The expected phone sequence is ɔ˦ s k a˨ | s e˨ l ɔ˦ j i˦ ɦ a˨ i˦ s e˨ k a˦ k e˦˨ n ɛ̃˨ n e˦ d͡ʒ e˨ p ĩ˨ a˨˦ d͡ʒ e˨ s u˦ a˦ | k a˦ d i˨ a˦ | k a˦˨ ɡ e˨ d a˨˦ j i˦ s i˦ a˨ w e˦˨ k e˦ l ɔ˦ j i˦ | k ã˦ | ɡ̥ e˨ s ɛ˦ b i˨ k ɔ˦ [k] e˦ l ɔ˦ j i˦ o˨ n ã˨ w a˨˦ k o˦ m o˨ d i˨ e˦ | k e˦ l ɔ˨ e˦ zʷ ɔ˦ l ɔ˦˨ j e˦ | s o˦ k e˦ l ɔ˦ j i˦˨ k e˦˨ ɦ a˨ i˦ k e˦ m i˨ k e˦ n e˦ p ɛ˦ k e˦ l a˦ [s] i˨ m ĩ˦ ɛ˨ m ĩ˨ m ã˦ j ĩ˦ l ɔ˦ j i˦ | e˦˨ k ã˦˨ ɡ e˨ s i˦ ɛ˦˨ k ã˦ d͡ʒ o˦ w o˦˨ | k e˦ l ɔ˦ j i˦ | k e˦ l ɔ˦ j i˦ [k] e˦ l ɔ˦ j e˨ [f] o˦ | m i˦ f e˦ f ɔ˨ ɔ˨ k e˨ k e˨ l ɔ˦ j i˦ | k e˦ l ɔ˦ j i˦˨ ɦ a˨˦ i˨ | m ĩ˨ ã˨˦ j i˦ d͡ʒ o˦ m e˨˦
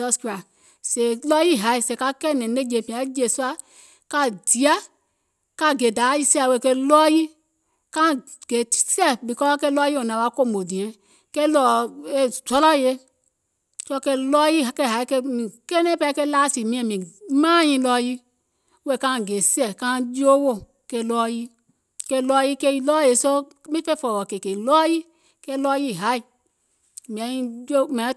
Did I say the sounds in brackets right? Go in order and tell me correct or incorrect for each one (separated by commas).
correct, correct, correct, incorrect